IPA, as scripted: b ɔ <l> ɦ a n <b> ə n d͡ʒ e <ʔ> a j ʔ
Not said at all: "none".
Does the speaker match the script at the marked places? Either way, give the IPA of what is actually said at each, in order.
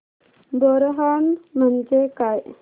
ɾ, m, k

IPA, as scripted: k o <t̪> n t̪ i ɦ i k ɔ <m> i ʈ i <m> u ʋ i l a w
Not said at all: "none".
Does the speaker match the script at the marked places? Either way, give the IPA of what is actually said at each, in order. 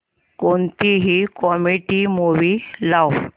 none, m, m

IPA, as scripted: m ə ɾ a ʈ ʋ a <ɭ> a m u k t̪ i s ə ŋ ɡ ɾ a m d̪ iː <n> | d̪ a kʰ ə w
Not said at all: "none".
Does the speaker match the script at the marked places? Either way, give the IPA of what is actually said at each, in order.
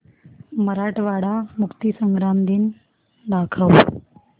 ɽ, n

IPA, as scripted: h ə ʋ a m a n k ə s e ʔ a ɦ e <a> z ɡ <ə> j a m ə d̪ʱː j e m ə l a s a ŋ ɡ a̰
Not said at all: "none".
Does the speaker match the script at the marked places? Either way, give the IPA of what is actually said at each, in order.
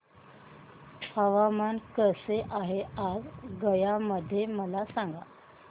a, ə

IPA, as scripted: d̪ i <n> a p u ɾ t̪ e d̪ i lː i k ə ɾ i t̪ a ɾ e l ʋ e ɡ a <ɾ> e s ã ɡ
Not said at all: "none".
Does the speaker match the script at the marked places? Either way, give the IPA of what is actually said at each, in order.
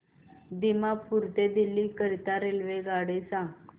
m, ɽ

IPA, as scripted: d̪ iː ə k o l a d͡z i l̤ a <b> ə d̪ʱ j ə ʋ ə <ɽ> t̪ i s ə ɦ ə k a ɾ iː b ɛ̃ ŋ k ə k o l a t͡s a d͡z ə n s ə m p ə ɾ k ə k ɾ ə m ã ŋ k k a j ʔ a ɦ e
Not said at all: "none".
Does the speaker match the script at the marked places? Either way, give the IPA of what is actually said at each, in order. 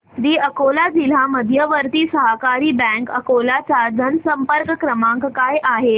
m, ɾ

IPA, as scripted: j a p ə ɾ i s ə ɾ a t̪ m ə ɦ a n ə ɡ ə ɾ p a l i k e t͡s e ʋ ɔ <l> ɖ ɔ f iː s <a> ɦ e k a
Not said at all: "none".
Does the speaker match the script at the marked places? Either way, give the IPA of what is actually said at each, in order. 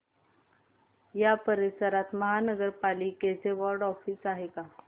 ɾ, a

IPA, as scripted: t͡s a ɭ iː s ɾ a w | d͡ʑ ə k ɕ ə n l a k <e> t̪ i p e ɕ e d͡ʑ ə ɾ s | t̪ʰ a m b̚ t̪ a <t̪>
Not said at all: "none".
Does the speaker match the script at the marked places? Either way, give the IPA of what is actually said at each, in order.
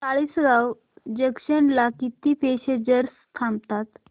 i, t̪

